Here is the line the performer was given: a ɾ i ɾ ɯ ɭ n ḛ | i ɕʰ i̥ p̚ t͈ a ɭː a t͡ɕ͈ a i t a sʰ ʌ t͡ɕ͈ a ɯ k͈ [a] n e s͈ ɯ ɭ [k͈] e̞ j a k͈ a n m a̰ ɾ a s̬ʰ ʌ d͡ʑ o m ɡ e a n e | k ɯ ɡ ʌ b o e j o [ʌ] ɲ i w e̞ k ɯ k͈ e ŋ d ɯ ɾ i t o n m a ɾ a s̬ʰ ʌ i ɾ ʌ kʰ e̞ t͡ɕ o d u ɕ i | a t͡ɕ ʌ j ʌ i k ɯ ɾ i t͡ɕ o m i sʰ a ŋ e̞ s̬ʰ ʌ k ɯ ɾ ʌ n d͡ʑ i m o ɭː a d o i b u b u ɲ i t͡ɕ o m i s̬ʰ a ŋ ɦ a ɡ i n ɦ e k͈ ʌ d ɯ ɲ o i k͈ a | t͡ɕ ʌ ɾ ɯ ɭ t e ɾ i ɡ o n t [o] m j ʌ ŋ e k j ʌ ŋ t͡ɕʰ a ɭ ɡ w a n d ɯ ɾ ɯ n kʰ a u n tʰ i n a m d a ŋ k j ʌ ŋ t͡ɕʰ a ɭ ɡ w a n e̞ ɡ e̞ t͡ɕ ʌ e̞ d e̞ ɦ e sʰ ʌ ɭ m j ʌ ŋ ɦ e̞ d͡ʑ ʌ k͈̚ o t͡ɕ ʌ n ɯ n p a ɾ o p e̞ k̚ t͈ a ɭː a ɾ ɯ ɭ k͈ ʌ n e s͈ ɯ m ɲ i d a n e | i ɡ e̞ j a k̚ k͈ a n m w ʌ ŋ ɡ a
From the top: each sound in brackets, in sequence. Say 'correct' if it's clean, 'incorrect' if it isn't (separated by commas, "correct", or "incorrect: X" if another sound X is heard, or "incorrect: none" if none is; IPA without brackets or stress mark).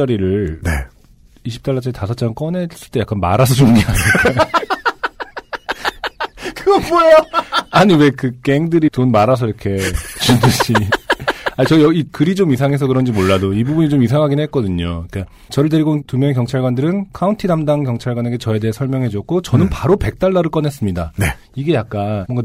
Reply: incorrect: ʌ, incorrect: t͈, incorrect: a, incorrect: u